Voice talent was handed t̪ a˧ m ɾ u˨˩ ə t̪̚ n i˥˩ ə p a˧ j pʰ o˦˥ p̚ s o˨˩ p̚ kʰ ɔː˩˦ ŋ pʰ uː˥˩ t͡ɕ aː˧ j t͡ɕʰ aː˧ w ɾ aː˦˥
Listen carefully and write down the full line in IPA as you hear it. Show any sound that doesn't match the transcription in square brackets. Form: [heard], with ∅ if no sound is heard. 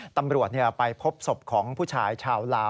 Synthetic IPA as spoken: t̪ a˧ m ɾ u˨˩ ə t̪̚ n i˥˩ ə p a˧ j pʰ o˦˥ p̚ s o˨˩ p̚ kʰ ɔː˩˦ ŋ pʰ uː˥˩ [t͡ɕʰ] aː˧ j t͡ɕʰ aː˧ w [l] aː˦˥